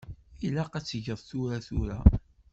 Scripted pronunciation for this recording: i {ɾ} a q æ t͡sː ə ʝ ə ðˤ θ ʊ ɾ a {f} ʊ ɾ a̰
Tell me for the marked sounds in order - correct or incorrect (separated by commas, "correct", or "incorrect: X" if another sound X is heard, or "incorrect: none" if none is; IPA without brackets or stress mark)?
incorrect: l, incorrect: θ